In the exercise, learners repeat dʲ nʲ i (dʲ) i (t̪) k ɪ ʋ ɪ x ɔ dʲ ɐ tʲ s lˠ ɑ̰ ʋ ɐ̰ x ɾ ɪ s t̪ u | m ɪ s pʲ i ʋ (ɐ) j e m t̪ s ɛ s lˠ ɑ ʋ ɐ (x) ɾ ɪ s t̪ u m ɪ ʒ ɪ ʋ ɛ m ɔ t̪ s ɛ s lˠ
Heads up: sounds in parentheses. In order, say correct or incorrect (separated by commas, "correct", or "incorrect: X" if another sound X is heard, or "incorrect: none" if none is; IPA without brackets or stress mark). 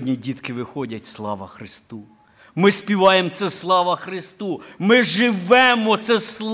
correct, correct, incorrect: ɑ, correct